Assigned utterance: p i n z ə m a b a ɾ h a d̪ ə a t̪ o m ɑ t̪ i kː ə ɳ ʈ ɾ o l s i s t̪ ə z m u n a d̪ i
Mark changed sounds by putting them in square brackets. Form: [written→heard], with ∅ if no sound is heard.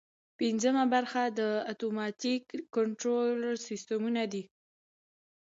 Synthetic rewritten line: p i n z ə m a b a ɾ [h→x] a d̪ ə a t̪ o m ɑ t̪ i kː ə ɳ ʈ ɾ o l s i s t̪ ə [z→∅] m u n a d̪ i